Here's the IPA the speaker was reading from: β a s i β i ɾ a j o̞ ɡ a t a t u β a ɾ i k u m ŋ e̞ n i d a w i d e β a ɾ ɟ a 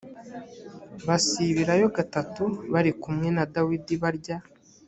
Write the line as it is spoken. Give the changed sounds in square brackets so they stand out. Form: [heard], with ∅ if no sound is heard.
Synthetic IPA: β a s i β i ɾ a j o̞ ɡ a t a t u β a ɾ i k u m ŋ e̞ n [a] d a w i d [i] β a ɾ ɟ a